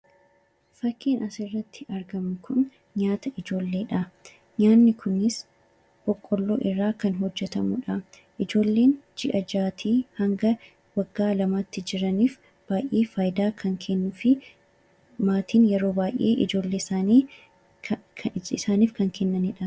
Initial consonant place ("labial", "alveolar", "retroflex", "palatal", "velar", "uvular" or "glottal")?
labial